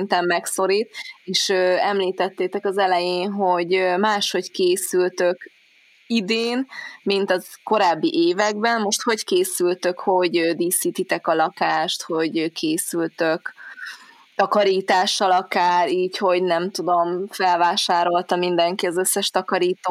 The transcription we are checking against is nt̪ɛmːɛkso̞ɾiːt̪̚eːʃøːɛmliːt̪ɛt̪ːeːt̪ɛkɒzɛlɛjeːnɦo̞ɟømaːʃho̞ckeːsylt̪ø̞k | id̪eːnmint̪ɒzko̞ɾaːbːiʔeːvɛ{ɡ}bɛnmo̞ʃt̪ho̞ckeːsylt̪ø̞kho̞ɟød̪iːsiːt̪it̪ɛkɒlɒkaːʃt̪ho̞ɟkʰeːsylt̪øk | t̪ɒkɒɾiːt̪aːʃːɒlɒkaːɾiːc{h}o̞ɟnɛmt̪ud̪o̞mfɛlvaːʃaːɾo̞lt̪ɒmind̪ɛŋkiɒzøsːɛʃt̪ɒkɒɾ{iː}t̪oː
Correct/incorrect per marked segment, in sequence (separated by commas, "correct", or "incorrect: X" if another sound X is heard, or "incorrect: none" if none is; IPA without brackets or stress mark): correct, correct, correct